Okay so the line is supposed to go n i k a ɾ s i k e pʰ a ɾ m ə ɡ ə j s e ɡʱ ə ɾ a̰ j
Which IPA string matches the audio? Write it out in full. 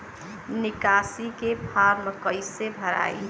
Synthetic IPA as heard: n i k a s i k e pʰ a ɾ m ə k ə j s e bʱ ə ɾ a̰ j